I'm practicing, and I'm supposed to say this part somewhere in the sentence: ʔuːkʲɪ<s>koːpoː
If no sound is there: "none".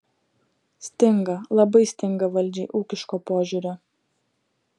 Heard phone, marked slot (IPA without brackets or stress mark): ʃ